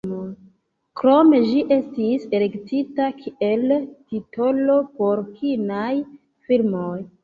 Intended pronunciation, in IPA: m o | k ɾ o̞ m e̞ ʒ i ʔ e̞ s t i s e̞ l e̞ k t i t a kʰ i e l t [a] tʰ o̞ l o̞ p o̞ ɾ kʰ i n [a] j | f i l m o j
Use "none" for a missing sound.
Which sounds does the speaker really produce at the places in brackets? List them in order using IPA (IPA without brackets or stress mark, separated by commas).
i, a